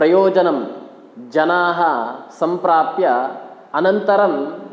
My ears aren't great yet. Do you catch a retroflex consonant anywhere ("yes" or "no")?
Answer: no